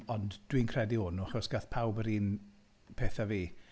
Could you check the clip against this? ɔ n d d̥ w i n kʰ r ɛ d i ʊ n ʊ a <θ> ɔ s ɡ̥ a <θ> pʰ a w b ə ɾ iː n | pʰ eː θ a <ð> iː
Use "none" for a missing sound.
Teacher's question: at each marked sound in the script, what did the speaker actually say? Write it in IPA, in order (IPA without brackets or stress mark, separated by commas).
χ, θ, v